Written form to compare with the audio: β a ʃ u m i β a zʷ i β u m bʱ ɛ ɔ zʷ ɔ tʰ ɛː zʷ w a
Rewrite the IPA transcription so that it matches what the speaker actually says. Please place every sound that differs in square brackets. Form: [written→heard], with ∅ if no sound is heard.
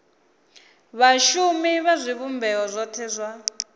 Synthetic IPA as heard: β a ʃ u m i β a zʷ i β u m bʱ ɛ ɔ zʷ ɔ tʰ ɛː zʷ w a